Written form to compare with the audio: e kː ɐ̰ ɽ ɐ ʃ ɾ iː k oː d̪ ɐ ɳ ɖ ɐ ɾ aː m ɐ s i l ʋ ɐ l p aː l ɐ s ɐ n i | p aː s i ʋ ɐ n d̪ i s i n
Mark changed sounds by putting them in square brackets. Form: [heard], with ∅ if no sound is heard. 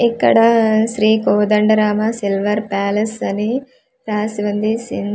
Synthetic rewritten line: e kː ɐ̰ ɽ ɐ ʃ ɾ iː k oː d̪ ɐ ɳ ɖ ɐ ɾ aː m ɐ s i l ʋ ɐ [ɾ] p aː l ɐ s ɐ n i | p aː s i ʋ ɐ n d̪ i s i n